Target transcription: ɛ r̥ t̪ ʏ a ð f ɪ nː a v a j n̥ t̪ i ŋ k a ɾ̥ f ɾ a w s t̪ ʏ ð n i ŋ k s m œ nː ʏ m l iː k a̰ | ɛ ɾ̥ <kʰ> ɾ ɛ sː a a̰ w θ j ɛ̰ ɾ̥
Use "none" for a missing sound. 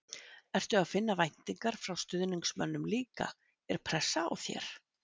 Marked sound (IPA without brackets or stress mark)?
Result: pʰ